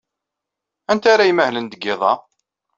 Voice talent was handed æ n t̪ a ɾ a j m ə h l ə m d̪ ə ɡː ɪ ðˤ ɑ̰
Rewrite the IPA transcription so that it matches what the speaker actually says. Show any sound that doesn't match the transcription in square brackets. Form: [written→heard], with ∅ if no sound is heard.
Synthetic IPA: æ n t̪ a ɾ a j m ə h l ə [m→n] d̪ ə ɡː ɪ ðˤ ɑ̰